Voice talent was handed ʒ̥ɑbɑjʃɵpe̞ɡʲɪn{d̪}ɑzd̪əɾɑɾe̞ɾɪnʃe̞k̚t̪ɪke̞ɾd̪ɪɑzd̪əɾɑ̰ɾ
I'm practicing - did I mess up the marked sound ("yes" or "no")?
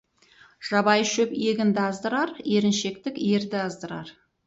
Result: no